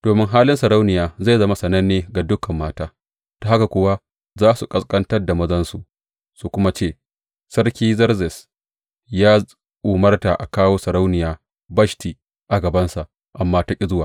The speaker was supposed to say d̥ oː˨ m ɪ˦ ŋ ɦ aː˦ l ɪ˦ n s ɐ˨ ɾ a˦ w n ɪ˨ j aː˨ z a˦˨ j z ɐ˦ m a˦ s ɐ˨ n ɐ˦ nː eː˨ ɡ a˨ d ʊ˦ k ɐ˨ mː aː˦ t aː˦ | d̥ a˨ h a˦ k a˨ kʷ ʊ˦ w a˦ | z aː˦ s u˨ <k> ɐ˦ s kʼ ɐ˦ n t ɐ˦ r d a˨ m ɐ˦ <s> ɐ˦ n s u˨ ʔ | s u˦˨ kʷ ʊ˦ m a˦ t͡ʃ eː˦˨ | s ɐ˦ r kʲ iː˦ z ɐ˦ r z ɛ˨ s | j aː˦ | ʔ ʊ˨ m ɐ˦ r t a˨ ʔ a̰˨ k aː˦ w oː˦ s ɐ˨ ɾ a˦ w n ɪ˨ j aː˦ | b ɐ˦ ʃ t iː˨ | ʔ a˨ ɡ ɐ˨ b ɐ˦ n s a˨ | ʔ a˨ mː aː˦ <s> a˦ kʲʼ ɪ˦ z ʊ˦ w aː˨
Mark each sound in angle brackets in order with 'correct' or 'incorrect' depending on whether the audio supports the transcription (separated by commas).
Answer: incorrect, incorrect, incorrect